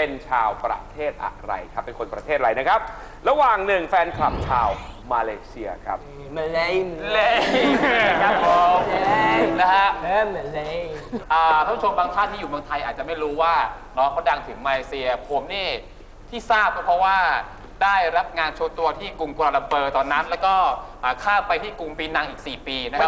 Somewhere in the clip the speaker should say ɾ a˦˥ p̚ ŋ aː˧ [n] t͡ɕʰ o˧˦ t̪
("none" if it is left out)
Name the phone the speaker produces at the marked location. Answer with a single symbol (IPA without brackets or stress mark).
n